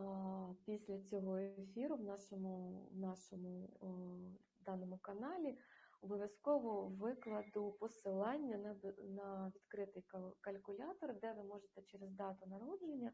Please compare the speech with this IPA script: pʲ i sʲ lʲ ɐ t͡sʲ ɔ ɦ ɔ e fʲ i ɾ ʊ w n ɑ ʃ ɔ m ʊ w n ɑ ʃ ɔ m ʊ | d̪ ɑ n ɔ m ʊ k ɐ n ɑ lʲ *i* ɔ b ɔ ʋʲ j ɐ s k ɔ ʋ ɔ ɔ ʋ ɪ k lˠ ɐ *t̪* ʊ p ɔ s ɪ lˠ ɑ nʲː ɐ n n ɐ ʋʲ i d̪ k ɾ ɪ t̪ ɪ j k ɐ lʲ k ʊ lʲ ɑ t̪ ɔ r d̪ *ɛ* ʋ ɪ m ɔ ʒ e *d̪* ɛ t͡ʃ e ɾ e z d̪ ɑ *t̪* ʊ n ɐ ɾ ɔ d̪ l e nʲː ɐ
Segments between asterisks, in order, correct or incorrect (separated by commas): correct, incorrect, correct, incorrect, correct